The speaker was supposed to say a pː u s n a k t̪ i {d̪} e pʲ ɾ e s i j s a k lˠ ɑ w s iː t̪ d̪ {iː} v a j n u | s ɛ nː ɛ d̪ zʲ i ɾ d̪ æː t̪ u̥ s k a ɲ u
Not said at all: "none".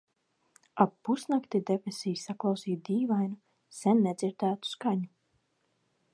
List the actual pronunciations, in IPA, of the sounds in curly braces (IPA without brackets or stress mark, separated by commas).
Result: d̪, iː